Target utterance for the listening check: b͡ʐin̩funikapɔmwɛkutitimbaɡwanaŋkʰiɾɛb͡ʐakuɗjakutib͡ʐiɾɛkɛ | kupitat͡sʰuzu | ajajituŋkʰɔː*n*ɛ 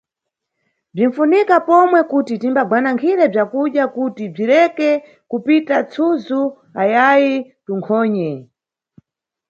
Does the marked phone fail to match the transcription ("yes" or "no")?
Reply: yes